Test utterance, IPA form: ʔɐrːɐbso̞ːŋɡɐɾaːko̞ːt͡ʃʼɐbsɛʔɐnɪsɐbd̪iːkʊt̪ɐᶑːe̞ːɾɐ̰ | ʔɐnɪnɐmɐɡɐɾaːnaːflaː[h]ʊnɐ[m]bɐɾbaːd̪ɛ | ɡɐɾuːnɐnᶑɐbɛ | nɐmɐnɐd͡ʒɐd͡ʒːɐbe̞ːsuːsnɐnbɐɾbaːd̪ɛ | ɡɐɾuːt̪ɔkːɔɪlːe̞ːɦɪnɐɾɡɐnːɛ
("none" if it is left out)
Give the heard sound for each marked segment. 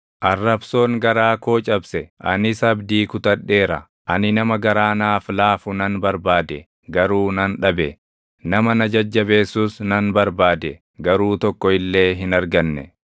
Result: f, n

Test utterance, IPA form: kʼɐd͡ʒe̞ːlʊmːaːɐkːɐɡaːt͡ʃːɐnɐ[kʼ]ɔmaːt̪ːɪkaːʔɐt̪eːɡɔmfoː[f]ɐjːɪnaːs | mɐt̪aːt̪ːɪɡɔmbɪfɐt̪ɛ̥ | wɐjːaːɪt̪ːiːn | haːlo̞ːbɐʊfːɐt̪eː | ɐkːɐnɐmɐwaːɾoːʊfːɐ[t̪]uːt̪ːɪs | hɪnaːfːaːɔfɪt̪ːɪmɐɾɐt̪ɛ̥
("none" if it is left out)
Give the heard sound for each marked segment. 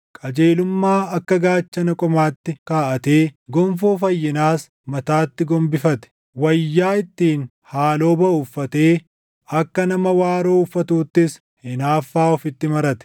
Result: kʼ, f, t̪

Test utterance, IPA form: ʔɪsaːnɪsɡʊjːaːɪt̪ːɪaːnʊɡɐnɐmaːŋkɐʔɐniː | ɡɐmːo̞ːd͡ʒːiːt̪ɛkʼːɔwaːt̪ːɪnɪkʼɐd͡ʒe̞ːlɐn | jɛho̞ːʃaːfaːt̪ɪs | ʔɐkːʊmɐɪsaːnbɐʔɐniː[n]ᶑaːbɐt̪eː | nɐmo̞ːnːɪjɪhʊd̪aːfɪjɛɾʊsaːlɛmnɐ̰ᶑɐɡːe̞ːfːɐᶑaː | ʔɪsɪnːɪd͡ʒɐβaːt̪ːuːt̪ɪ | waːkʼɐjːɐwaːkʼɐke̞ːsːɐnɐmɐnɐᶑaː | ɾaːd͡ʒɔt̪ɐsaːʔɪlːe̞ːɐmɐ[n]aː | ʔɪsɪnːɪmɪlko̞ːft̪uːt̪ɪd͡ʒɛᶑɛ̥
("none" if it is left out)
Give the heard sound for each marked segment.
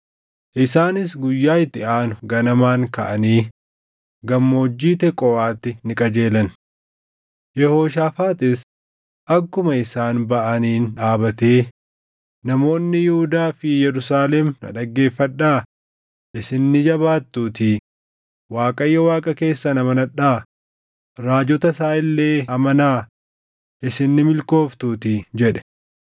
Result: n, n

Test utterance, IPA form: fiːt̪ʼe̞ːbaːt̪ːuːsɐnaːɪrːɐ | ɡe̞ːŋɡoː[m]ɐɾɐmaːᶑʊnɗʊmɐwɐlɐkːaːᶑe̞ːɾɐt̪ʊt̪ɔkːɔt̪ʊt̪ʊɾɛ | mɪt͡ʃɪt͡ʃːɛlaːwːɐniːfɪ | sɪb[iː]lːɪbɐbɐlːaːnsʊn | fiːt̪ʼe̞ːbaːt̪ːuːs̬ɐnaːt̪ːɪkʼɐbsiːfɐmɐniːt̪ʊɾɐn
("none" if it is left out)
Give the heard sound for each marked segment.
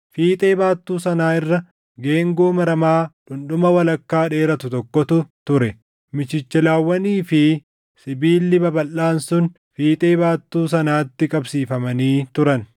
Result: m, iː

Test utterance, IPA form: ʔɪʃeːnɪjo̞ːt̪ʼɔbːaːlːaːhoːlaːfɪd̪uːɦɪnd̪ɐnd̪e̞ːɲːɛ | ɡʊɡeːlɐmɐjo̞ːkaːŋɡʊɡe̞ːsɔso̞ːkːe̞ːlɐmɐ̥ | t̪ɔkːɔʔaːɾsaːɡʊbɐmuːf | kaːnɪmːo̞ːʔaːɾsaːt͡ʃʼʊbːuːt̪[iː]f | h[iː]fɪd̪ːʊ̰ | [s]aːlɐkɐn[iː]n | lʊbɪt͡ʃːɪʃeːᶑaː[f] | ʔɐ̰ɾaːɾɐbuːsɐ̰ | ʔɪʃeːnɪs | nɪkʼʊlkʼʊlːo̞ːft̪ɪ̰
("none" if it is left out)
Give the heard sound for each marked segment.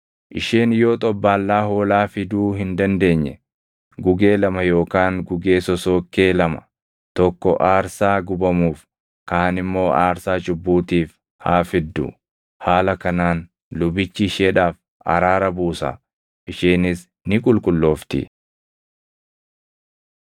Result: iː, aː, h, aː, f

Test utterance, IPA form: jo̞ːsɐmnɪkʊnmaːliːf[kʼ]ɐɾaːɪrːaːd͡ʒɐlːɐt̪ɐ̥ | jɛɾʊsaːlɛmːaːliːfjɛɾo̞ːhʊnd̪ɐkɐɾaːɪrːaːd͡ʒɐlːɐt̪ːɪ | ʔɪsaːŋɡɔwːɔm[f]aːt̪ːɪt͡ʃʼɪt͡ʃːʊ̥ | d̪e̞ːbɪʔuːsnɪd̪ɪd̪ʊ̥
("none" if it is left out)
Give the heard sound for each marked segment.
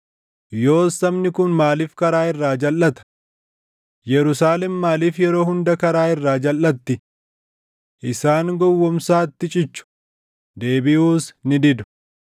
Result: k, s

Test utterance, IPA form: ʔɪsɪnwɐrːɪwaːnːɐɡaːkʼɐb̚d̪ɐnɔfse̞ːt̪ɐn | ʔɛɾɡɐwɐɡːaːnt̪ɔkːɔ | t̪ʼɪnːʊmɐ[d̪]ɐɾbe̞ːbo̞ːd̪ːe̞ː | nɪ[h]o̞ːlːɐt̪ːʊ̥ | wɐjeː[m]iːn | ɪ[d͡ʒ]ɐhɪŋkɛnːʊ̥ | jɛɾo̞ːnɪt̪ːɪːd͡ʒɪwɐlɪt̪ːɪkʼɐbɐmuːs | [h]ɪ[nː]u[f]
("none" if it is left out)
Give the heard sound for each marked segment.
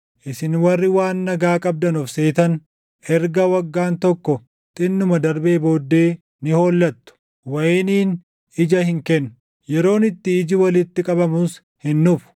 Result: d̪, h, n, d͡ʒ, h, nː, f

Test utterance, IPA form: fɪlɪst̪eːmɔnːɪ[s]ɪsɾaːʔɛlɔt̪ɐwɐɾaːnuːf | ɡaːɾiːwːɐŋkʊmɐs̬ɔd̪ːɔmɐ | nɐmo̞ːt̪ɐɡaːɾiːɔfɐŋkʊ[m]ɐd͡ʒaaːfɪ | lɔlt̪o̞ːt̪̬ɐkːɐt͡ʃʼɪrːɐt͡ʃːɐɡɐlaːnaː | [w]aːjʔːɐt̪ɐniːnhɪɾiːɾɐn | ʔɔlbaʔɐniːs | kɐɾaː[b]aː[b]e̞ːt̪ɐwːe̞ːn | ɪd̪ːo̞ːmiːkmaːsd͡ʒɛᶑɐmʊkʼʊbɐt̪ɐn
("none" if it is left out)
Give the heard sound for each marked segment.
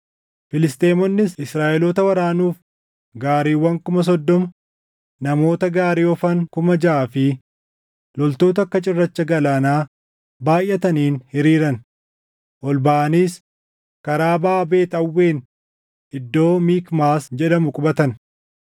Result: s, m, b, b, b

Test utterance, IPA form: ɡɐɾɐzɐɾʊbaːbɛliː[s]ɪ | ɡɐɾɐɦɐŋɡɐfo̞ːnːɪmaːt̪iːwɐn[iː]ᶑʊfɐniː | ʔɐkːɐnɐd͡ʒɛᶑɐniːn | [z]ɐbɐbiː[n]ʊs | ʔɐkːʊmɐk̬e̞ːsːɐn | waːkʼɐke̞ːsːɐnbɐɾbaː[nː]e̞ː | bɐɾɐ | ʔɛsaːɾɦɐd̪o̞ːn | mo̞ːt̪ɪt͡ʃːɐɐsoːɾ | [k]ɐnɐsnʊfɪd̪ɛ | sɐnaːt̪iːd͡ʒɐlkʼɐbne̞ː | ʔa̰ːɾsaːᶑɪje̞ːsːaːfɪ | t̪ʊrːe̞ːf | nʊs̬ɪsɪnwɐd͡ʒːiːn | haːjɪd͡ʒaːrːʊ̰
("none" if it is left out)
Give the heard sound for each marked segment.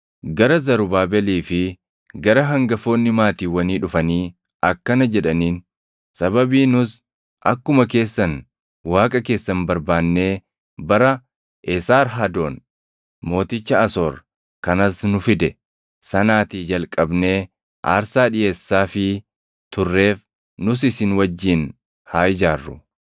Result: f, iː, s, n, nː, k

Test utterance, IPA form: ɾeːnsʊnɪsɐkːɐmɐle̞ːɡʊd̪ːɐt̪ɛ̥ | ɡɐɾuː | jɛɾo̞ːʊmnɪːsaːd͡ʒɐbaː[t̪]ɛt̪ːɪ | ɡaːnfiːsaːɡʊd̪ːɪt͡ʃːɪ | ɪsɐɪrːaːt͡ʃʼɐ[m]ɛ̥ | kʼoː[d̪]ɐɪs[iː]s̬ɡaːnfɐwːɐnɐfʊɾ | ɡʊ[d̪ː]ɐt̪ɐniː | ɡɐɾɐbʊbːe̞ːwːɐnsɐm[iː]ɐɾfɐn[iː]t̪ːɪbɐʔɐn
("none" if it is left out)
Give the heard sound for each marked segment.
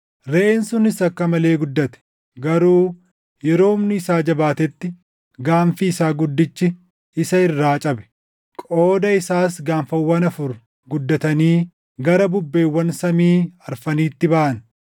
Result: t̪, b, d̪, aː, d̪ː, iː, iː

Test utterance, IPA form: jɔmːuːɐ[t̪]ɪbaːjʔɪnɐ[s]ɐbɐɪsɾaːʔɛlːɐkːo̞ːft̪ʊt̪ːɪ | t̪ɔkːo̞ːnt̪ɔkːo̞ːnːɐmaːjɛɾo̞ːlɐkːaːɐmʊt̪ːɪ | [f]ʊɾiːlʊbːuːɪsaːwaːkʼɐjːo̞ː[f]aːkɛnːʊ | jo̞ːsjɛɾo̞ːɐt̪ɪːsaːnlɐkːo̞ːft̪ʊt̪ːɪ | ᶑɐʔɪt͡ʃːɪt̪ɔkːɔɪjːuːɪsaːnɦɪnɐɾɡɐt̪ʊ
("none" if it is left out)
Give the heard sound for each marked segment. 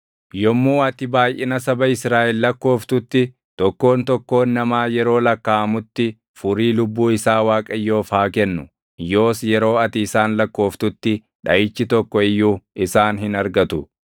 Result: t̪, s, f, f

